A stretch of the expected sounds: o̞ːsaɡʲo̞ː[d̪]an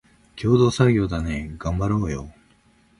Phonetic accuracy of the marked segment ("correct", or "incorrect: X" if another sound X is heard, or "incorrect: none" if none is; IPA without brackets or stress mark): correct